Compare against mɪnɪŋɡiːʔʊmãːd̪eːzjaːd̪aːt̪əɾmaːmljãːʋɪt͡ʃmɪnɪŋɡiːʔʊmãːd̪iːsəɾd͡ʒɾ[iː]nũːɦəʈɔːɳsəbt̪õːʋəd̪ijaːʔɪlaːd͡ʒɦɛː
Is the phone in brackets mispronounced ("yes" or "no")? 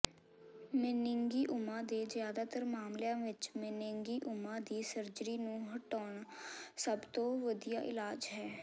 no